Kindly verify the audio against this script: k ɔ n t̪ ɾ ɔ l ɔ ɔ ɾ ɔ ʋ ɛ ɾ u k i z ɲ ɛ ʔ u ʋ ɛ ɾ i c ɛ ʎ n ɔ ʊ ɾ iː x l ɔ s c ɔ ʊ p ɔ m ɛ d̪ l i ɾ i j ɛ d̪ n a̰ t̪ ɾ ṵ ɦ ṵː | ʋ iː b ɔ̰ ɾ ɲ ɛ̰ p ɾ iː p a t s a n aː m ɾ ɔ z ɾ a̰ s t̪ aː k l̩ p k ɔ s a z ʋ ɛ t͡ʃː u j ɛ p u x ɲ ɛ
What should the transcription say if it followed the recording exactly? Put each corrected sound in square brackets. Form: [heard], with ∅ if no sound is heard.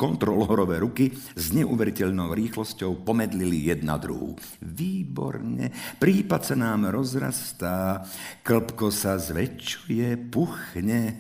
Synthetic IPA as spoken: k ɔ n t̪ ɾ ɔ l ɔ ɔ ɾ ɔ ʋ ɛ ɾ u k i z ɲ ɛ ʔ u ʋ ɛ ɾ i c ɛ ʎ n ɔ ʊ ɾ iː x l ɔ s c ɔ ʊ p ɔ m ɛ d̪ l i [l] i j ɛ d̪ n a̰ [d̪] ɾ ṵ ɦ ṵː | ʋ iː b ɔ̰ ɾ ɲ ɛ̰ p ɾ iː p a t s a n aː m ɾ ɔ z ɾ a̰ s t̪ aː k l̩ p k ɔ s a z ʋ ɛ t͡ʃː u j ɛ p u x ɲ ɛ